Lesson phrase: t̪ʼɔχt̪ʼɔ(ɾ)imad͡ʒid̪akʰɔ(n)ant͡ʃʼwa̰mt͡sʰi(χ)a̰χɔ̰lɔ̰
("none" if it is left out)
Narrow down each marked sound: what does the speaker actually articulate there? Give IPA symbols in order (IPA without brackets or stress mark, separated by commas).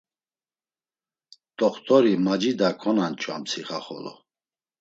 ɾ, n, χ